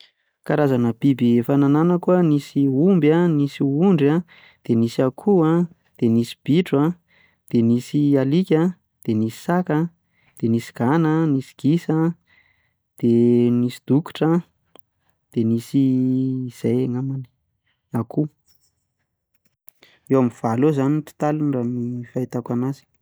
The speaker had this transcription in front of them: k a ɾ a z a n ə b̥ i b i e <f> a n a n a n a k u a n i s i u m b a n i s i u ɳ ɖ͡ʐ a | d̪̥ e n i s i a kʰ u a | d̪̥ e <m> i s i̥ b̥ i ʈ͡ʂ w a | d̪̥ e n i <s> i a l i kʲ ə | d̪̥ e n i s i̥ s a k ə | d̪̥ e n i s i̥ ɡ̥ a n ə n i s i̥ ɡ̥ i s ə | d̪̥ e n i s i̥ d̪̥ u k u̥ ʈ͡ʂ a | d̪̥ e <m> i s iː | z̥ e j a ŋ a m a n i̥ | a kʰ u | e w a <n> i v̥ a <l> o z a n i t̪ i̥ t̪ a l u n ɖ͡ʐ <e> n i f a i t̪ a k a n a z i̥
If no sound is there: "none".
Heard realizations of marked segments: f, n, s, n, m, l, a

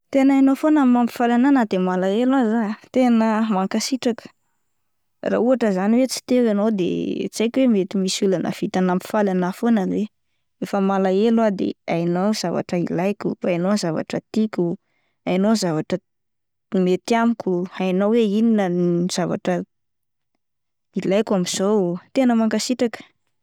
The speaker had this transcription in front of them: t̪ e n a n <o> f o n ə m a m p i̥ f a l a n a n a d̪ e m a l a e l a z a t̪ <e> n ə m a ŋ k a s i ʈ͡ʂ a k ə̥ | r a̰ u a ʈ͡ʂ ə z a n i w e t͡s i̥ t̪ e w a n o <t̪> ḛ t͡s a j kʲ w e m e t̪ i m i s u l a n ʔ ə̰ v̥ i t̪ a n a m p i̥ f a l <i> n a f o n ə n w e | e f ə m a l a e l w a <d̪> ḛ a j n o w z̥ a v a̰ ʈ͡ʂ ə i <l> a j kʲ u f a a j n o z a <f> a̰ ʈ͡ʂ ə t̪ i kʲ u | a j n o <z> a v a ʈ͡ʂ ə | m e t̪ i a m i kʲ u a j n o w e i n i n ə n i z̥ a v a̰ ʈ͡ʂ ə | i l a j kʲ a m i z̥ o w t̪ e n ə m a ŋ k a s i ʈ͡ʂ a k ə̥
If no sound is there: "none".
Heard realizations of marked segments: o, e, d̪, a, d̪, l, v, z

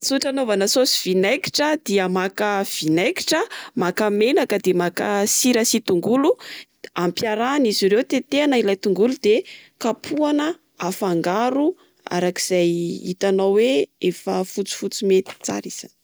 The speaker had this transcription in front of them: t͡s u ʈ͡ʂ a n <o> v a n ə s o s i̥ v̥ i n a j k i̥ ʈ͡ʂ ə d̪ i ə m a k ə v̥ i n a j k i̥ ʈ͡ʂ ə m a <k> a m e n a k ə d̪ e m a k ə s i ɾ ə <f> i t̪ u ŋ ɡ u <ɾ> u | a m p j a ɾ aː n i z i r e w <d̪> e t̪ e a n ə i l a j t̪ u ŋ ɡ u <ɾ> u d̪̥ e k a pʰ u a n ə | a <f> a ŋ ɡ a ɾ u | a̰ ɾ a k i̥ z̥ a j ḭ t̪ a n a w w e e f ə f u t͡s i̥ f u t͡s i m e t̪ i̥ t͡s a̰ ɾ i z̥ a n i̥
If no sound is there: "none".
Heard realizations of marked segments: o, k, s, l, t̪, l, f

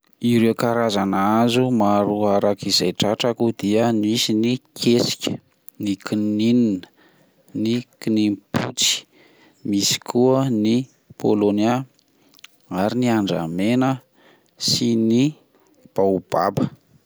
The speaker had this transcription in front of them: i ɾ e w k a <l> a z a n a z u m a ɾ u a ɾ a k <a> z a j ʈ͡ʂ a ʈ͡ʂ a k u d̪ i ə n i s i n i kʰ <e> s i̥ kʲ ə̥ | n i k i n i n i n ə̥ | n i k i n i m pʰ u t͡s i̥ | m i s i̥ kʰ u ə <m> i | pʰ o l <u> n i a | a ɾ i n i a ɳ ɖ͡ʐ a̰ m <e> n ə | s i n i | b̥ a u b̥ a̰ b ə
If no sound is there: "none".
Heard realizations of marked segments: ɾ, i, e, n, o, e

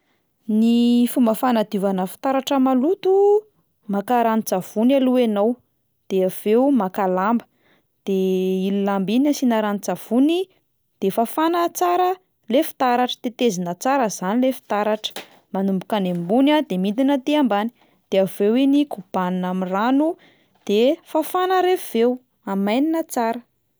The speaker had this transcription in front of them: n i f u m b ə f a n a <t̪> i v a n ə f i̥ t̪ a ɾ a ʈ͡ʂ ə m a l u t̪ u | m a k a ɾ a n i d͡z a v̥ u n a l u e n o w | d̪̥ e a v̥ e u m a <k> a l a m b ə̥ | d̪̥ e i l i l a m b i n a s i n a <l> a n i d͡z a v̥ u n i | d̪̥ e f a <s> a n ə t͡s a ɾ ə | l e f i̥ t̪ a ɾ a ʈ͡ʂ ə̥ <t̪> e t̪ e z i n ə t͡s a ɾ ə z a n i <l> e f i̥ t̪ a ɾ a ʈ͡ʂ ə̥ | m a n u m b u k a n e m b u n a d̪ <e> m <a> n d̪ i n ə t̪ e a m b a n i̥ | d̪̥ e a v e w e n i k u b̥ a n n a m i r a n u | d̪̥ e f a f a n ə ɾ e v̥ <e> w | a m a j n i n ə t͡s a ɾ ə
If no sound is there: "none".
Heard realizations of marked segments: d̪, k, ɾ, f, t̪, l, e, i, e

